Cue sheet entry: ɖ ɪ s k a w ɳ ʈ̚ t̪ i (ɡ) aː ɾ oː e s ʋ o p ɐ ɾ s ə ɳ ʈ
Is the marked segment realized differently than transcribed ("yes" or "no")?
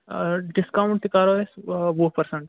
yes